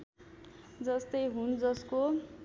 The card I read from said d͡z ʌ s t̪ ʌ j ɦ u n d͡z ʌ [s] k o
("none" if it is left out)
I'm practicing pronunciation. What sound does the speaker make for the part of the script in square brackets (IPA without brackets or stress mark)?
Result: s